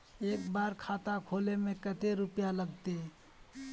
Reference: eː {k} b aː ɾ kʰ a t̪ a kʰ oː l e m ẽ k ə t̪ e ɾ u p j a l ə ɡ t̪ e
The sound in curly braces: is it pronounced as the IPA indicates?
yes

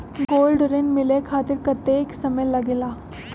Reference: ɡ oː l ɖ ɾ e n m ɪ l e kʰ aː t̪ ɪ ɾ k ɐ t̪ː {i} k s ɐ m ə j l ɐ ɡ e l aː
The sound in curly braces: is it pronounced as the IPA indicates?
no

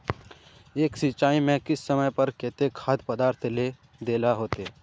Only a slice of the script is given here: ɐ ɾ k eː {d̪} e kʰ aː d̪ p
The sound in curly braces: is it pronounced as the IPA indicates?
no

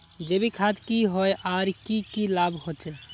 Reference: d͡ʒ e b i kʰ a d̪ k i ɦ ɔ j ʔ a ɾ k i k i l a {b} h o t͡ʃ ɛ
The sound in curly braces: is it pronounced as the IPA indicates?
yes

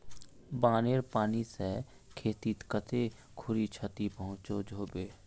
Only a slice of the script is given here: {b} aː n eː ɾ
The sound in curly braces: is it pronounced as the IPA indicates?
yes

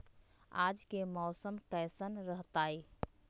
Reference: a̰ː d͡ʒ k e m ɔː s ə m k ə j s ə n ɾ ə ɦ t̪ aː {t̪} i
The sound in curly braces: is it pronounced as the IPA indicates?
no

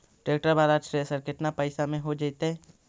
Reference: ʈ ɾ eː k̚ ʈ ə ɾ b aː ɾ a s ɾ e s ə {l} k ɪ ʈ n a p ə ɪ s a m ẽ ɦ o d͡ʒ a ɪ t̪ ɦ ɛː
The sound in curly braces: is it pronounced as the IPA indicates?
no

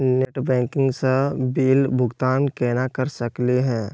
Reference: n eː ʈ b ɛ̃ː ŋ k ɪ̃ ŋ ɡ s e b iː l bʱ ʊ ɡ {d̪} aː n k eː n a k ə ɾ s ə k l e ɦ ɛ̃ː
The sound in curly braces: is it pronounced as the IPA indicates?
no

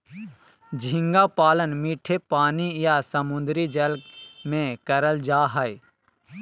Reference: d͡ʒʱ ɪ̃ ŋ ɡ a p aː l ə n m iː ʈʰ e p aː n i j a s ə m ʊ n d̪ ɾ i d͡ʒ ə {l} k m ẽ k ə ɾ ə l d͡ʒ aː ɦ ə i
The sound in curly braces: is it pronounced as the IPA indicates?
yes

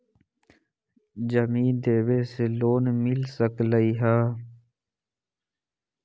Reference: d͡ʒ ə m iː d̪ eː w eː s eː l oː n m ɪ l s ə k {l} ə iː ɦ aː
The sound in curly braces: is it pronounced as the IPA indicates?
yes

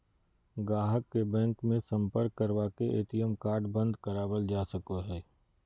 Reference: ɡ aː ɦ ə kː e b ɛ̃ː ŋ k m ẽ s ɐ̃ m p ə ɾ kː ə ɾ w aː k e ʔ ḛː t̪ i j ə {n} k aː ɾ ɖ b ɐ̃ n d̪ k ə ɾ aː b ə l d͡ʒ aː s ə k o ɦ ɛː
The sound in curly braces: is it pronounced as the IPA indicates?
no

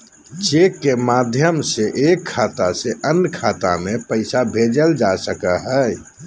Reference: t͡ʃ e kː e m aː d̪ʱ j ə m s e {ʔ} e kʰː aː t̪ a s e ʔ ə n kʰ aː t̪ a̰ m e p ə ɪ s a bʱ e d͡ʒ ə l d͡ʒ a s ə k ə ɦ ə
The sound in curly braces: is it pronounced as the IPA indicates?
yes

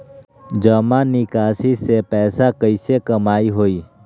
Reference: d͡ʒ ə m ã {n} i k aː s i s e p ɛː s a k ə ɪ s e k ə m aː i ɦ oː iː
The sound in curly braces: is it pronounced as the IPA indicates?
yes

